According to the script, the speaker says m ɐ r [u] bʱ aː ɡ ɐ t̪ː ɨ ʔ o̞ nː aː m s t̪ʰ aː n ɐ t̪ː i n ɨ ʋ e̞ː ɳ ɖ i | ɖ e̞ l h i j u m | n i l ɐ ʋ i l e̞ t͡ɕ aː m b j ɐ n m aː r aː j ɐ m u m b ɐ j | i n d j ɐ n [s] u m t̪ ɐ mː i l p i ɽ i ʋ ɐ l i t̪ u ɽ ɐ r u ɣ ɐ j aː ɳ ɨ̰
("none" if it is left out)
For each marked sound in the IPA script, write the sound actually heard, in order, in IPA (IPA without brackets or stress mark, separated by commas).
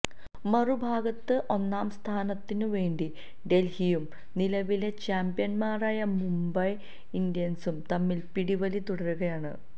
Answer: u, s